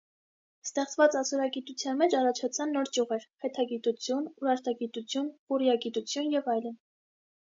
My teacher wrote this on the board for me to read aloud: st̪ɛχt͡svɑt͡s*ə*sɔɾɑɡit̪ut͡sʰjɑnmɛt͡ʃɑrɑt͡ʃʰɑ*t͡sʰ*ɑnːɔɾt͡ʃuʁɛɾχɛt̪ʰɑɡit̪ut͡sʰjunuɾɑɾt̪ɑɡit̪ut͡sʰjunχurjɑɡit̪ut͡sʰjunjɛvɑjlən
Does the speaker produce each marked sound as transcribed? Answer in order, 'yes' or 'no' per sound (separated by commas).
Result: no, yes